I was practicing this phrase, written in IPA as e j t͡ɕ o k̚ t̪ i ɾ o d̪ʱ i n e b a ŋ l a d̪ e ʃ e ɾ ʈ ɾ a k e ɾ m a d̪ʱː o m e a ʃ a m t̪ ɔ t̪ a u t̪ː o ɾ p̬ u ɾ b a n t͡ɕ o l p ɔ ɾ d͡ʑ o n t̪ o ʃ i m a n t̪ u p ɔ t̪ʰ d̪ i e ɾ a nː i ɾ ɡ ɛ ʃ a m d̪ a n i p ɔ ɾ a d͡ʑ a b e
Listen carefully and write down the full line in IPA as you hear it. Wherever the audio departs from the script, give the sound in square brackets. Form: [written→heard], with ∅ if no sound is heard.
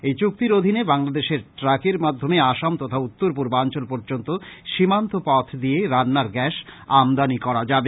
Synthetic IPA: e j t͡ɕ [o→u] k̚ t̪ i ɾ o d̪ʱ i n e b a ŋ l a d̪ e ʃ e ɾ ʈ ɾ a k e ɾ m a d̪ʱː o m e a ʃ a m t̪ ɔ [t̪→t̪ʰ] a u t̪ː o ɾ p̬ u ɾ b a n t͡ɕ o l p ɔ ɾ d͡ʑ o n t̪ o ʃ i m a n t̪ [u→o] p ɔ t̪ʰ d̪ i e ɾ a nː [i→a] ɾ ɡ ɛ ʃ a m d̪ a n i [p→k] ɔ ɾ a d͡ʑ a b e